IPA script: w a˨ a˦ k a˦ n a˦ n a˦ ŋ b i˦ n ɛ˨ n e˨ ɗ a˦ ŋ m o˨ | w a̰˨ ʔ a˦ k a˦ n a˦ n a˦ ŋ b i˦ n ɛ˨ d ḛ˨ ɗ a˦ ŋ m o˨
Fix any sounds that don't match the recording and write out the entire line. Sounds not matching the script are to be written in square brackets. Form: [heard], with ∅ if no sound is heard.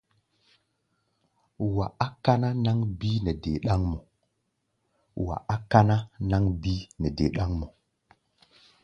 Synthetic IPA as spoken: w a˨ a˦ k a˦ n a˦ n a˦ ŋ b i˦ n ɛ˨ [d] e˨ ɗ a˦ ŋ m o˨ | w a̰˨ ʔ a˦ k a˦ n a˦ n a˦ ŋ b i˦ n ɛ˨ d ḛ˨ ɗ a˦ ŋ m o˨